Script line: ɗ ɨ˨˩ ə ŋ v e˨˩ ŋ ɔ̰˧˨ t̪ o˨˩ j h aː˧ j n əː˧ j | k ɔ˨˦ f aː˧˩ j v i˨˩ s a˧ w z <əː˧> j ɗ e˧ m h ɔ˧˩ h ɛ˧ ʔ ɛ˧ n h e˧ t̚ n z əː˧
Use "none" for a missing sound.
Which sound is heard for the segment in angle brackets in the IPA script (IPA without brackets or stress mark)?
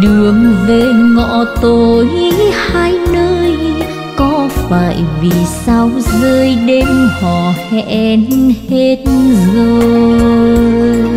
əː˧